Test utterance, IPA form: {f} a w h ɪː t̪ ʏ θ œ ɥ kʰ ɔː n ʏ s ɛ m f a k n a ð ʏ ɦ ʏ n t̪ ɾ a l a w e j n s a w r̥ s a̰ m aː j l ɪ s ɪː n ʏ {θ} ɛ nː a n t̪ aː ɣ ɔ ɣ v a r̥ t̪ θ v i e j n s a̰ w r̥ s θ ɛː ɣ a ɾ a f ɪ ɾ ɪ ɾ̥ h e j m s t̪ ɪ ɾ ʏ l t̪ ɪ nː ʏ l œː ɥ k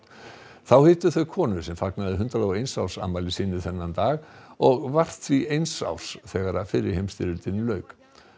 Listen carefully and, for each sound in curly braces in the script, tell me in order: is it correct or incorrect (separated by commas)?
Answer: incorrect, correct